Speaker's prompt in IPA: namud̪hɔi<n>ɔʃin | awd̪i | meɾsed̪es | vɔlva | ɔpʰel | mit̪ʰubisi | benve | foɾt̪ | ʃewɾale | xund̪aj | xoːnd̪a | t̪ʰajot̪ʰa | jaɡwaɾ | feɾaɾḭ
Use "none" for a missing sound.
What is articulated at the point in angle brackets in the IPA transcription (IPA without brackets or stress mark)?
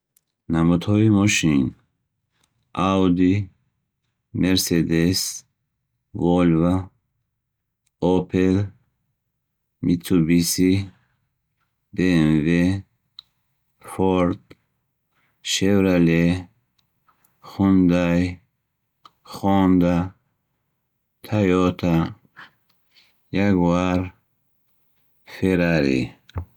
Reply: m